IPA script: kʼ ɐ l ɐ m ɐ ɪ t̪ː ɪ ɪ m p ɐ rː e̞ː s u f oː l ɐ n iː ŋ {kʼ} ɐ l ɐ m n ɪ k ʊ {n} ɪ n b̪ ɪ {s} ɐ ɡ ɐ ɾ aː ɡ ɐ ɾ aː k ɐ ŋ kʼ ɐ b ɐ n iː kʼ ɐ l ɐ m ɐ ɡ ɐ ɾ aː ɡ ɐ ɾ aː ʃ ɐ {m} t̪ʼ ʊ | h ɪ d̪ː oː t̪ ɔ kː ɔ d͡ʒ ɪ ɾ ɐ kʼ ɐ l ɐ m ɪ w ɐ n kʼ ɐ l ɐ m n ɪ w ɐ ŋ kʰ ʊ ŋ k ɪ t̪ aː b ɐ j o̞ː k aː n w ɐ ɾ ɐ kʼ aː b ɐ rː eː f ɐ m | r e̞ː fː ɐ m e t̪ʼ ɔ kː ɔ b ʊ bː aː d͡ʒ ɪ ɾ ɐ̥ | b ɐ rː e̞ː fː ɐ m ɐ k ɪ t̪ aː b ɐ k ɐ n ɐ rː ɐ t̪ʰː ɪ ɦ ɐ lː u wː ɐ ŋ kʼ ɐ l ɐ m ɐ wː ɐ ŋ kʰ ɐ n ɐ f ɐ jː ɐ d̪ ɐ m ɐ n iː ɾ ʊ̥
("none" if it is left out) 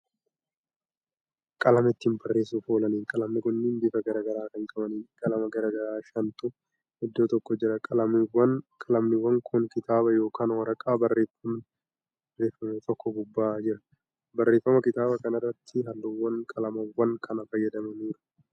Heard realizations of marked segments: kʼ, nː, f, n

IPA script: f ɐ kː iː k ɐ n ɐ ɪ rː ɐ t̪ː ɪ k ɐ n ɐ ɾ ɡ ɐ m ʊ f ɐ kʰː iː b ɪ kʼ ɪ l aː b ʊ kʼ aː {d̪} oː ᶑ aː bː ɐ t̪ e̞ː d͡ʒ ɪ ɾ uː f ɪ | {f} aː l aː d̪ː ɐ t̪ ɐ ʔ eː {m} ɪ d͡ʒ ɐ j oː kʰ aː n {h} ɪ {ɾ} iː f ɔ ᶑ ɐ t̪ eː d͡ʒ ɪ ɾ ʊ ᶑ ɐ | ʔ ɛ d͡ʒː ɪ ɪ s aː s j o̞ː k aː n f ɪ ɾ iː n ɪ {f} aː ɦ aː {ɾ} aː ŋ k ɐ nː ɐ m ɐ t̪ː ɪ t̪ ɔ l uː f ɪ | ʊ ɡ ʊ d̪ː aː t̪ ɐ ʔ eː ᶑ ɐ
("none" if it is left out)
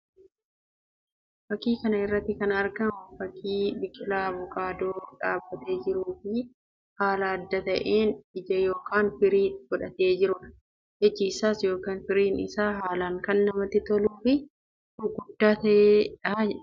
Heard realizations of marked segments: d̪, h, n, f, ɾ, s, l

